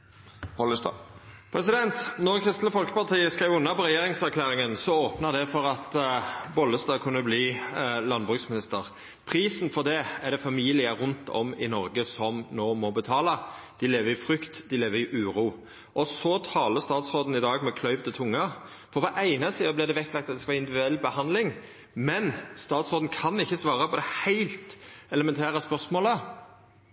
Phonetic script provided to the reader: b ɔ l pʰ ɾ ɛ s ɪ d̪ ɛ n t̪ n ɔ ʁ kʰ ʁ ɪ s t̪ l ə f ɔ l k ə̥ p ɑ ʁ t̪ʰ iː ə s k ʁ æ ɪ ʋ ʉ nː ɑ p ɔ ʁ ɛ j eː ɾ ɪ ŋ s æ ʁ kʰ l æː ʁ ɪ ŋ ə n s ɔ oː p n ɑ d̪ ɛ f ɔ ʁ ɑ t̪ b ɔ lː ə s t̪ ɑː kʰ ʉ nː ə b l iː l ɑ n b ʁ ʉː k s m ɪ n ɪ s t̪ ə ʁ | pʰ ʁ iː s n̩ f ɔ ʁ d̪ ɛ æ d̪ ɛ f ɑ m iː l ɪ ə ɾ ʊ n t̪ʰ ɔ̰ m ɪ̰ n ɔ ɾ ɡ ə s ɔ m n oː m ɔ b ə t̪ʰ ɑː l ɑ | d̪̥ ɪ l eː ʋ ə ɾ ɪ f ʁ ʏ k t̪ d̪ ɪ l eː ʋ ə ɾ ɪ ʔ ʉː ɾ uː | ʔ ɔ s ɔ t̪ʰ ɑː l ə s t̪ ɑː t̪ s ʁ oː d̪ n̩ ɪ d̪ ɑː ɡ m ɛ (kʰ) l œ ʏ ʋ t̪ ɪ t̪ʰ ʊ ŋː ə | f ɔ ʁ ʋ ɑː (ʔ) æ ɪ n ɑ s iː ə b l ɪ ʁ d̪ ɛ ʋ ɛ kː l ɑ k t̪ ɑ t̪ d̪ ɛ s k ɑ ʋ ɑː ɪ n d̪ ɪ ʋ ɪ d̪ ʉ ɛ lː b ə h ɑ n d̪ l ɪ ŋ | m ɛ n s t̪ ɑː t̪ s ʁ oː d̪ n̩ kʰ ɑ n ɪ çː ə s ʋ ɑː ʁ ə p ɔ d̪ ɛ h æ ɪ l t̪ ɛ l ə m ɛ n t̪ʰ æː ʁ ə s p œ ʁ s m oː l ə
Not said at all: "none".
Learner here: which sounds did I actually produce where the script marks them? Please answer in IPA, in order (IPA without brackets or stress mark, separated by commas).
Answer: kʰ, ʔ